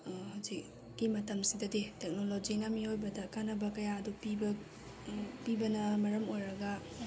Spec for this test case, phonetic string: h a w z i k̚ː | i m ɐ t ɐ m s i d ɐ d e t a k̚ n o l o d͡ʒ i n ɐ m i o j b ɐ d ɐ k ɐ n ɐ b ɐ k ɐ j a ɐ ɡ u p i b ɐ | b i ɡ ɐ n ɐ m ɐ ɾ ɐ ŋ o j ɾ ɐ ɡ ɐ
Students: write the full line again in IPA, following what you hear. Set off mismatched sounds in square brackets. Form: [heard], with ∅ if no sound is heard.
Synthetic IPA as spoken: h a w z i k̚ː | i m ɐ t ɐ m s i d ɐ d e t [e] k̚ n o l o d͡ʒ i n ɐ m i o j b ɐ d ɐ k [a] n ɐ b ɐ k ɐ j a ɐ [d] u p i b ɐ | [p] i [b] ɐ n ɐ m ɐ ɾ ɐ [m] o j ɾ ɐ ɡ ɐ

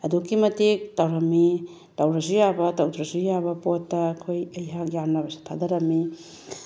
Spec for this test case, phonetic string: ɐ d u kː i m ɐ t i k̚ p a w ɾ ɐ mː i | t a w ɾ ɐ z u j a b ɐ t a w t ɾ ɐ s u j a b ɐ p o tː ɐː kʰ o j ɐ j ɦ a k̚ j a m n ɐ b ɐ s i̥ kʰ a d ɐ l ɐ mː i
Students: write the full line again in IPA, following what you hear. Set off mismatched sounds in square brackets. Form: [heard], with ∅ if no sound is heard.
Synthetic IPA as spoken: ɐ d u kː i m ɐ t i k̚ [t] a w ɾ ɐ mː i | t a w ɾ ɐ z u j a b ɐ t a w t ɾ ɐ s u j a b ɐ p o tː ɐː kʰ o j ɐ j ɦ a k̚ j a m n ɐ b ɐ s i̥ [tʰ] a d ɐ [ɾ] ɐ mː i

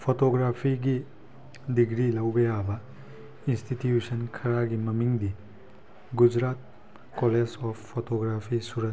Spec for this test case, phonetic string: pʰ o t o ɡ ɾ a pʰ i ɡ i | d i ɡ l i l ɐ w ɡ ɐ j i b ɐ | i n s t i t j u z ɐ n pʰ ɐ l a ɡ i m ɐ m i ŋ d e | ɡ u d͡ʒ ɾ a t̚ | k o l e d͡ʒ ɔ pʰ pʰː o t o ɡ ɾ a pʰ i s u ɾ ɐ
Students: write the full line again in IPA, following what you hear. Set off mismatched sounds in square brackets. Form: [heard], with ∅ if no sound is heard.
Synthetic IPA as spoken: pʰ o t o ɡ ɾ a pʰ i ɡ i | d i ɡ [ɾ] i l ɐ w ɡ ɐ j [a] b ɐ | i n s t i t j u [s] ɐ n [kʰ] ɐ [ɾ] a ɡ i m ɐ m i ŋ d [i] | ɡ u d͡ʒ ɾ a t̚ | k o l e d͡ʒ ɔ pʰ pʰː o t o ɡ ɾ a pʰ i s u ɾ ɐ

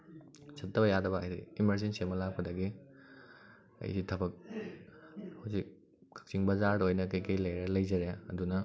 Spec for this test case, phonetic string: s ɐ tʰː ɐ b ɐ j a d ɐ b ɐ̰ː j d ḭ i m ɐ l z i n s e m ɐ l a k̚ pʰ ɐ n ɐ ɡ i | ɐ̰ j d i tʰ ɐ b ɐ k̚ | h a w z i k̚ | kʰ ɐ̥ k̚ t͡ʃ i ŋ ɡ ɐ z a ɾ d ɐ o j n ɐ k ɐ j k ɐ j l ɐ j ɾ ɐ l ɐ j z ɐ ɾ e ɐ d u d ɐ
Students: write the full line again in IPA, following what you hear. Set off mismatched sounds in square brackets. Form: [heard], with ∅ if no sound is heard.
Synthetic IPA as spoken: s ɐ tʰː ɐ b ɐ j a d ɐ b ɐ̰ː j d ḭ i m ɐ [ɾ] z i n s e m ɐ l a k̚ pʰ ɐ [d] ɐ ɡ i | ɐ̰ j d i tʰ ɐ b ɐ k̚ | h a w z i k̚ | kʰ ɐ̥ k̚ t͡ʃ i ŋ [b] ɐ z a ɾ d ɐ o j n ɐ k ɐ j k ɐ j l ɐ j ɾ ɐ l ɐ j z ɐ ɾ e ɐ d u [n] ɐ

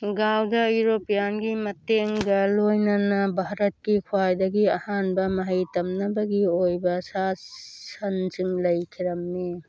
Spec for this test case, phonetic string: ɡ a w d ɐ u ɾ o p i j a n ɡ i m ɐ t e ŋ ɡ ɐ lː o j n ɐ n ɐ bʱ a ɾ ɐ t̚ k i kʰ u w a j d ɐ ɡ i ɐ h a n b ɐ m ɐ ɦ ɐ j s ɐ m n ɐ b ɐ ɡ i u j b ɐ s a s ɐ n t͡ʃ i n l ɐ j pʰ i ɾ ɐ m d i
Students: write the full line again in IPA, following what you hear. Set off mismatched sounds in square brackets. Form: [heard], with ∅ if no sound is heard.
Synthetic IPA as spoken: ɡ a w d ɐ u ɾ o p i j a n ɡ i m ɐ t e ŋ ɡ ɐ [l] o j n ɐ n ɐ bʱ a ɾ ɐ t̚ k i kʰ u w a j d ɐ ɡ i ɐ h a n b ɐ m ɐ ɦ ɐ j [t] ɐ m n ɐ b ɐ ɡ i [o] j b ɐ s a s ɐ n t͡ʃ i [ŋ] l ɐ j [kʰ] i ɾ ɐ m [n] i

